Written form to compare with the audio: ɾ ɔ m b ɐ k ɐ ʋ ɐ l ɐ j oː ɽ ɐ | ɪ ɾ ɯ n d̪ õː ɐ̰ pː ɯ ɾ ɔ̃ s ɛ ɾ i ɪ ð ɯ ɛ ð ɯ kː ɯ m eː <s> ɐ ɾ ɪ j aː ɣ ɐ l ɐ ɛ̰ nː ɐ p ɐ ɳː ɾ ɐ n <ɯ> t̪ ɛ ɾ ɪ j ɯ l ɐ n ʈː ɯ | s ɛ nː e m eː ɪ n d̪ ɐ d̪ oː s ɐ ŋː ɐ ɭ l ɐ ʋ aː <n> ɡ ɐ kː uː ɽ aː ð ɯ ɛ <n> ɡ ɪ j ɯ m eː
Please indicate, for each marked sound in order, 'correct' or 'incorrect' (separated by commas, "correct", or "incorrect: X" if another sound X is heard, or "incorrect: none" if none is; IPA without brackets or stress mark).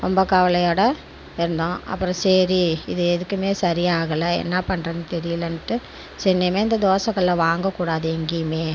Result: correct, correct, incorrect: ŋ, incorrect: ŋ